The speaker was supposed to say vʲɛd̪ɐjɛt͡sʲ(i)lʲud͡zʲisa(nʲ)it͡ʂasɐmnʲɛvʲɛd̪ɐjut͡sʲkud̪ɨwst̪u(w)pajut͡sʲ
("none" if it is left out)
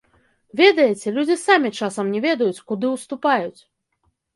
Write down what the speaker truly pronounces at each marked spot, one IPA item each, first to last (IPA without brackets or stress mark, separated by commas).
ɛ, mʲ, none